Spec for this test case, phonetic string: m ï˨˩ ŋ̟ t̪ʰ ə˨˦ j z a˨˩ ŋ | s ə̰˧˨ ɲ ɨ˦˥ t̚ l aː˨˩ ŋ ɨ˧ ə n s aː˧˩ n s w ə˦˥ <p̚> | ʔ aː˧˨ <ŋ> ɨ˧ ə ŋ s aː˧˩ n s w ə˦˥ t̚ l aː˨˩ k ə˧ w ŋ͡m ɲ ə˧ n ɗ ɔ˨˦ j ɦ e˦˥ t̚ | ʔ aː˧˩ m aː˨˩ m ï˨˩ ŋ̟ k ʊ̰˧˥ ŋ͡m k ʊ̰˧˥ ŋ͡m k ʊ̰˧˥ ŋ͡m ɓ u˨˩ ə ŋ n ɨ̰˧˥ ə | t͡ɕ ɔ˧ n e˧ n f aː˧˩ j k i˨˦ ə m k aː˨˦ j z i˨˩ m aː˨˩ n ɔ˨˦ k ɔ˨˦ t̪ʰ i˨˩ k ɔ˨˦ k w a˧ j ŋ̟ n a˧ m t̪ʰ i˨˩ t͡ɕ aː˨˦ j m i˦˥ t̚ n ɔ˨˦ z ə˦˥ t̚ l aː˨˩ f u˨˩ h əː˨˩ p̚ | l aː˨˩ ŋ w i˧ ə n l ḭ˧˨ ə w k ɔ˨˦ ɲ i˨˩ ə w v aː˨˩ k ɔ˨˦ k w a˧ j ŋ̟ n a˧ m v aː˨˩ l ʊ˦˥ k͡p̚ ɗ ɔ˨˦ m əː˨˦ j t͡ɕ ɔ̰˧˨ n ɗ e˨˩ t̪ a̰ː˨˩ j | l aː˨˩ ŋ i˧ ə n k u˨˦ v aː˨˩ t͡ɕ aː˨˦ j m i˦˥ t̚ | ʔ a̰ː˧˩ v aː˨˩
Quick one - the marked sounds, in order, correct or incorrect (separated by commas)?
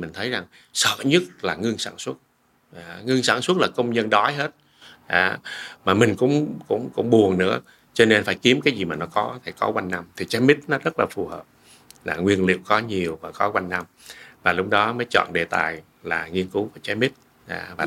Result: incorrect, correct